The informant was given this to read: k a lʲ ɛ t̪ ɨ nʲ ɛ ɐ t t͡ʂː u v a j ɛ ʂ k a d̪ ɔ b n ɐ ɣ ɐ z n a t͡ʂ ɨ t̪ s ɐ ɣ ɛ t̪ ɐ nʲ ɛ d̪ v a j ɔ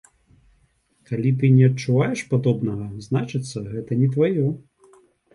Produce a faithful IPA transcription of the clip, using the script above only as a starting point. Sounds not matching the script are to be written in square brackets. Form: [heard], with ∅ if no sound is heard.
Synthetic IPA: k a lʲ [i] t̪ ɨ nʲ ɛ ɐ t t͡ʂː u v a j ɛ ʂ [p] a d̪ ɔ b n ɐ ɣ ɐ z n a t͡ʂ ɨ t̪ [sː] ɐ ɣ ɛ t̪ ɐ nʲ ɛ [t̪] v a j ɔ